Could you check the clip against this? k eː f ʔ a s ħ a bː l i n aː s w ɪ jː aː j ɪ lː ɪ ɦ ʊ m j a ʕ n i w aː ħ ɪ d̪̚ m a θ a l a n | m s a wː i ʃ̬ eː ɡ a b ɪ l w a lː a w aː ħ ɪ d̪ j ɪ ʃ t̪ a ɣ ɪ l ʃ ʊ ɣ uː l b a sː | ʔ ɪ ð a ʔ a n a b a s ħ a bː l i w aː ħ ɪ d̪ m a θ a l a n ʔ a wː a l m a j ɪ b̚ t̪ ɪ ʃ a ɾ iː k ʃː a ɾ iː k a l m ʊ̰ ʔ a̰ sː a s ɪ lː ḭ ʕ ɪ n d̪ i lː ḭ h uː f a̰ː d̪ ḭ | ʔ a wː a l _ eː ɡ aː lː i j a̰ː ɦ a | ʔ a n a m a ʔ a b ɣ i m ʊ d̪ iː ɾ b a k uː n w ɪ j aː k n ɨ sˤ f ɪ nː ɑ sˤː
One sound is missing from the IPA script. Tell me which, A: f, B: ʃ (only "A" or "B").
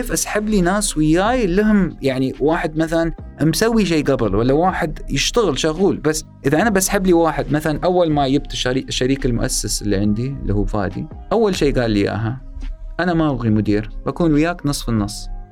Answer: B